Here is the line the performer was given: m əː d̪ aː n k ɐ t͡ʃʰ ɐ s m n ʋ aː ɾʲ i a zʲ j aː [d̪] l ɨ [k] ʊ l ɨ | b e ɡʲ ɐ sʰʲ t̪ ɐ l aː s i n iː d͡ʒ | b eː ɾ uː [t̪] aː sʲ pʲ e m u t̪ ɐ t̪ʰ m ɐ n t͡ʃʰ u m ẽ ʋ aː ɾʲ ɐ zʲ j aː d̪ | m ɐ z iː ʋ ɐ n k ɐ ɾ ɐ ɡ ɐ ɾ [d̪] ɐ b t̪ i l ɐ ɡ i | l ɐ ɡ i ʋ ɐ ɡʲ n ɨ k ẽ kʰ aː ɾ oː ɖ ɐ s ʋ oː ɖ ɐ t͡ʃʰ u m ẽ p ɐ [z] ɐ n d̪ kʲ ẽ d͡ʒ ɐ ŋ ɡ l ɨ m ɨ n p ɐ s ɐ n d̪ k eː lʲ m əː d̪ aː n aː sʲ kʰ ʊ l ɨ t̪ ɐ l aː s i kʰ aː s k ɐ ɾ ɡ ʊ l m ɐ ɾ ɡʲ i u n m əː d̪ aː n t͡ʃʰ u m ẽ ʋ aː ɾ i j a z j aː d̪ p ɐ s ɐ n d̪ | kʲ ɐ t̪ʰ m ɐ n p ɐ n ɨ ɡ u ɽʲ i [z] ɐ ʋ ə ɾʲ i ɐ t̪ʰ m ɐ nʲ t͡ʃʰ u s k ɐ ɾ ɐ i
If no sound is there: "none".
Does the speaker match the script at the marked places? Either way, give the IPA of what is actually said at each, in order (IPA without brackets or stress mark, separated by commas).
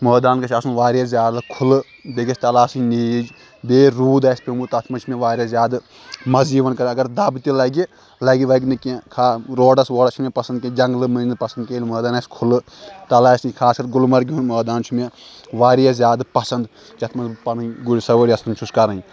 d̪, kʰ, d̪, d̪, s, s